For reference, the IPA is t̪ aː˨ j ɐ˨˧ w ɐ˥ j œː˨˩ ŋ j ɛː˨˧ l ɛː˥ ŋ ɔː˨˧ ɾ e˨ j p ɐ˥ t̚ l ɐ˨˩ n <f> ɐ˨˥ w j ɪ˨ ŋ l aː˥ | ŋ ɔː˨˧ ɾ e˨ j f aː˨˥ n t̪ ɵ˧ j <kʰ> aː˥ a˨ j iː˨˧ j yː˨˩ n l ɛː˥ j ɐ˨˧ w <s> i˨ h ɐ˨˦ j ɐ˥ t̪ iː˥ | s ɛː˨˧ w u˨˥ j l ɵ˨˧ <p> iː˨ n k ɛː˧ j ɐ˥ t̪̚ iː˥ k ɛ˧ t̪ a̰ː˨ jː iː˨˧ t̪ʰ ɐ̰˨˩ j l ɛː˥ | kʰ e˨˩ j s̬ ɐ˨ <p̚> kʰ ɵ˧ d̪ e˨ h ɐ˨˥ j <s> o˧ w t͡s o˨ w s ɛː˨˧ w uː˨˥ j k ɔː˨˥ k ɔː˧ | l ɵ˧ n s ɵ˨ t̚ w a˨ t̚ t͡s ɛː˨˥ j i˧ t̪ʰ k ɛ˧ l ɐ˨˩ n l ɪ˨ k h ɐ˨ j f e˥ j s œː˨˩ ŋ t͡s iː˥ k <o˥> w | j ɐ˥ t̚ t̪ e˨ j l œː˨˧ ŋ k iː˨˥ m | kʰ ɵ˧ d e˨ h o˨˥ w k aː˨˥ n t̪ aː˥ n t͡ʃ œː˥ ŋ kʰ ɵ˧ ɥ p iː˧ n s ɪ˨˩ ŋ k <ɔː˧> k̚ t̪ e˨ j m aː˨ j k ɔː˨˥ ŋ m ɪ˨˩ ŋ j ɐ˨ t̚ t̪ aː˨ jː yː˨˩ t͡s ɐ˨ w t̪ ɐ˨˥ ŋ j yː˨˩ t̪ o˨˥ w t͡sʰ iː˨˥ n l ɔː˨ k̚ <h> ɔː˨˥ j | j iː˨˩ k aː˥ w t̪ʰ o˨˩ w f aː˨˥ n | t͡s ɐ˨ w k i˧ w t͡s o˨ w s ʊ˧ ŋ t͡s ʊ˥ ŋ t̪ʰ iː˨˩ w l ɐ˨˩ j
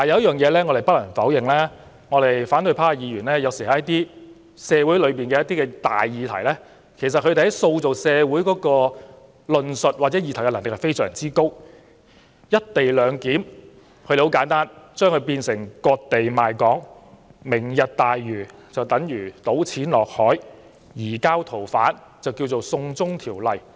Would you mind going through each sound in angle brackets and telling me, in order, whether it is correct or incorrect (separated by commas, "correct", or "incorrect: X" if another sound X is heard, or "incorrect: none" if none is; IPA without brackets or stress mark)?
correct, incorrect: pʰ, correct, correct, incorrect: t̚, correct, correct, correct, correct